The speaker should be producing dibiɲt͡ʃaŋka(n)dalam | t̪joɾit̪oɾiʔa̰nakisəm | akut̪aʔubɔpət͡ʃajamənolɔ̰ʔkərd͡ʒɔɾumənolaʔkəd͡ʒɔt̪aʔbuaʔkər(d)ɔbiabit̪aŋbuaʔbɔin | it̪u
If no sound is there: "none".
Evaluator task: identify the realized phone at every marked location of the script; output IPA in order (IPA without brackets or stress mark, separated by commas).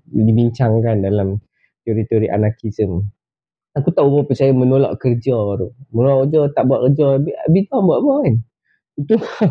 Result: n, d͡ʒ